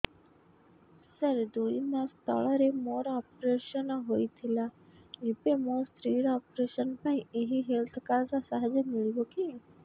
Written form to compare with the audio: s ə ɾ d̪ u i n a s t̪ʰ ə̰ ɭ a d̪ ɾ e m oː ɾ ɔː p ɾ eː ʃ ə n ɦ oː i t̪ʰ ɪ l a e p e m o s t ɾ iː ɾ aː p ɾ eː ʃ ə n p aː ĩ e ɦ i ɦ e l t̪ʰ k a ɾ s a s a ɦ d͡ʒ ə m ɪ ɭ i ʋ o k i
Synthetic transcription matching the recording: s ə ɾ d̪ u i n a s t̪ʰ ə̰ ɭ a ɾ e m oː ɾ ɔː p ɾ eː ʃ ə n ɦ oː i t̪ʰ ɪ l a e p e m o s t ɾ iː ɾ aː p ɾ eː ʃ ə n p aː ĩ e ɦ i ɦ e l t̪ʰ k a ɾ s a s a ɦ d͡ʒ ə m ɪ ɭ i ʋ o k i